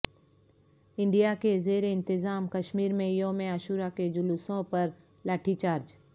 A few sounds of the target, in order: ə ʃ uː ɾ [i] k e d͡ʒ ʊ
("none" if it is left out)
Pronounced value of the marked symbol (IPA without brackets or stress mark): a